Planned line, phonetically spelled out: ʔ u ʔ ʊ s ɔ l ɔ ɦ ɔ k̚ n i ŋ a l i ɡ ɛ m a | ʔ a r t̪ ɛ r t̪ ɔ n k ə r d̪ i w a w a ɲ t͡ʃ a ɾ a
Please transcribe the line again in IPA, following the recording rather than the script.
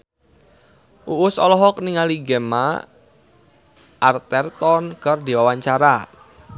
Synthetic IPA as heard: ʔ u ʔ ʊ s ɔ l ɔ ɦ ɔ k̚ n i ŋ a l i ɡ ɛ m a | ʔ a r t̪ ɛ r t̪ ɔ n k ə r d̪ i w a w a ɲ t͡ʃ a ɾ a